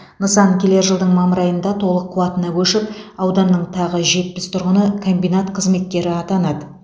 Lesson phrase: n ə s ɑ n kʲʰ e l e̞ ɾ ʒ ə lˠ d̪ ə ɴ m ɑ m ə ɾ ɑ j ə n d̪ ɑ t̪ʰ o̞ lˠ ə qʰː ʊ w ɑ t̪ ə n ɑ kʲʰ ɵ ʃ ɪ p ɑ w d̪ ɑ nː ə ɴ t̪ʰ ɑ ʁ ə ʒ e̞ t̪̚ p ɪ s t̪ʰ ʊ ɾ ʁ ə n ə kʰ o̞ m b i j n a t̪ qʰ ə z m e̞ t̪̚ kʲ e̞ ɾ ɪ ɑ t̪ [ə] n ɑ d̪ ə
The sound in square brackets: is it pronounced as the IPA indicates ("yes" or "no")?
no